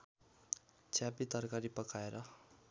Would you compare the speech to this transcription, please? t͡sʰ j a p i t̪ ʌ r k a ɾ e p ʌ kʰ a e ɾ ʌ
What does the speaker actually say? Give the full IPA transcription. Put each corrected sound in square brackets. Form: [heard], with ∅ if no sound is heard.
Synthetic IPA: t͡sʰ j a p i t̪ ʌ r k a ɾ [i] p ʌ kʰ a e ɾ ʌ